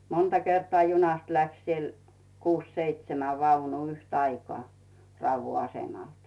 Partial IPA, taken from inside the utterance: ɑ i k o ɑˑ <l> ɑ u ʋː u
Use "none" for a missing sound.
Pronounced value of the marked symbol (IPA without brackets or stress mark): r